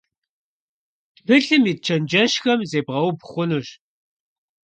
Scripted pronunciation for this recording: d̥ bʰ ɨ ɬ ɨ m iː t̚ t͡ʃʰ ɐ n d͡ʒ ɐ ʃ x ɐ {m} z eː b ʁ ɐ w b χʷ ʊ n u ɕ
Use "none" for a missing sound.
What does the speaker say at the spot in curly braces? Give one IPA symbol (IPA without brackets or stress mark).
m